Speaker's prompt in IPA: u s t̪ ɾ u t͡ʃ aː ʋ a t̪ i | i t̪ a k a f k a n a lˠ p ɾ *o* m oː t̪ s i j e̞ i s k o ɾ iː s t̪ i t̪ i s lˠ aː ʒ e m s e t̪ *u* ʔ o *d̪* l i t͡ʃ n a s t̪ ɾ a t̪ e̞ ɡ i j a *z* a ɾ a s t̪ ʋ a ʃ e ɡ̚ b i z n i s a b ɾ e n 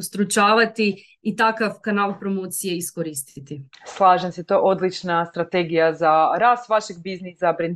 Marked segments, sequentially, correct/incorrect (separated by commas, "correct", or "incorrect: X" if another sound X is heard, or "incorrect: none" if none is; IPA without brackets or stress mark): correct, incorrect: o, correct, correct